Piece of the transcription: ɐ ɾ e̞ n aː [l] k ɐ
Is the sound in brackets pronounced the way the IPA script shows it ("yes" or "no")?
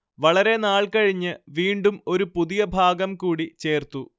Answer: no